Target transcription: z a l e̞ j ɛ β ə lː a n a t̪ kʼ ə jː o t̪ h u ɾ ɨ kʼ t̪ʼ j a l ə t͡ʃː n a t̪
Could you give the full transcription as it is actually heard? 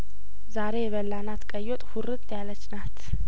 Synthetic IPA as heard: z a ɾ e̞ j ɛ β ə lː a n a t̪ kʼ ə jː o t̪ʼ h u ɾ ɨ t̪ʼ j a l ə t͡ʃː n a t̪